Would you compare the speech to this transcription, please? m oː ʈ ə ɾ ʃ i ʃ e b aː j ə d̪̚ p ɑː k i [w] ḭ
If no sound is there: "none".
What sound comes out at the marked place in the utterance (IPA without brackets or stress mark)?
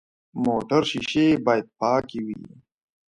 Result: w